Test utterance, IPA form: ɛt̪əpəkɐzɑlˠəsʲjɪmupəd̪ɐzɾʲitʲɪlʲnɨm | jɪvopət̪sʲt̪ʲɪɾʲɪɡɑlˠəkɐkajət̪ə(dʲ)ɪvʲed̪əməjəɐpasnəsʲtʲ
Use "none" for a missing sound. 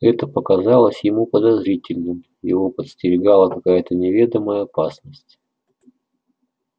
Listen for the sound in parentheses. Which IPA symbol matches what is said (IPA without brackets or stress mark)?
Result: nʲ